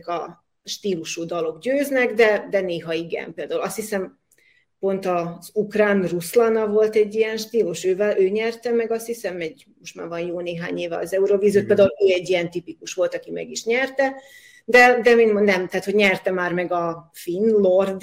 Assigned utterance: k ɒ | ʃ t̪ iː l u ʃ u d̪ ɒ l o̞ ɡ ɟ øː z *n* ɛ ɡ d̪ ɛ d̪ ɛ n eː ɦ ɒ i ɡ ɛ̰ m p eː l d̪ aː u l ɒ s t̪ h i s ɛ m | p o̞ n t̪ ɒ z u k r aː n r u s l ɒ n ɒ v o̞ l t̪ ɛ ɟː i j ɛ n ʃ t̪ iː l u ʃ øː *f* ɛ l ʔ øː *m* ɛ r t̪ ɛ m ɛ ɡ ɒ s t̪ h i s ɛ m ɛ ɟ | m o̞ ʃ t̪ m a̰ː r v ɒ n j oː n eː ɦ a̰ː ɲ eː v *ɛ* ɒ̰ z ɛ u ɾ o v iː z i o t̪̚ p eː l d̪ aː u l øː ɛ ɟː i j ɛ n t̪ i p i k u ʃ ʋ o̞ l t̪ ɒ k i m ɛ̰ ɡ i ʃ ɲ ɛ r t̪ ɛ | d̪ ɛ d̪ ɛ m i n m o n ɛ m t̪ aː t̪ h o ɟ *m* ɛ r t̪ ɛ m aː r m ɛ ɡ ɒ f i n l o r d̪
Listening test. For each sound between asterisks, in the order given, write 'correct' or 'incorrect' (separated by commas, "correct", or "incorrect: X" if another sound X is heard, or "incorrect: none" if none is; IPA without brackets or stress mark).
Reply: correct, incorrect: v, incorrect: ɲ, correct, incorrect: ɲ